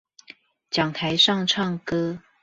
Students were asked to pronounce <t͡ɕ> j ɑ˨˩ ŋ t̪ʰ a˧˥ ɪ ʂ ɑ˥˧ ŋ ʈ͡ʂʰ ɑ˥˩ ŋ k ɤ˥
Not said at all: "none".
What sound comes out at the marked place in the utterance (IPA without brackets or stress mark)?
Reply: t͡ɕ